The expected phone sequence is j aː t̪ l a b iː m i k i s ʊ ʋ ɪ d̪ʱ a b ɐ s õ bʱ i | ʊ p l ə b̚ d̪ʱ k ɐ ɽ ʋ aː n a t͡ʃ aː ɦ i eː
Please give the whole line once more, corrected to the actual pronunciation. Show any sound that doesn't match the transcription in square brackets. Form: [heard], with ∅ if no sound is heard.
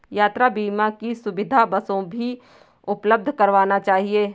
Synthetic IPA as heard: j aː t̪ [ɾ] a b iː m [a] k i s ʊ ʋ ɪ d̪ʱ a b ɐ s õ bʱ i | ʊ p l ə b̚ d̪ʱ k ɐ [ɾ] ʋ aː n a t͡ʃ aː ɦ i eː